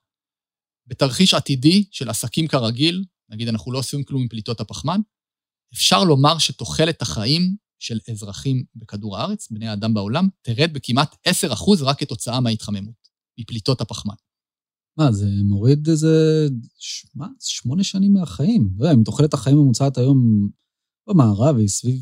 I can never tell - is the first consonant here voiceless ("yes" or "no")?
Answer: no